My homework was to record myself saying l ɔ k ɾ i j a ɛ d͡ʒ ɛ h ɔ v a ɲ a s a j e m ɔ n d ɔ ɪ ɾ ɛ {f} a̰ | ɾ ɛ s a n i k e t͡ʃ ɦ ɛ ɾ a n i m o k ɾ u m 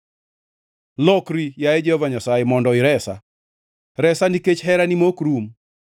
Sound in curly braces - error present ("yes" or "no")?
yes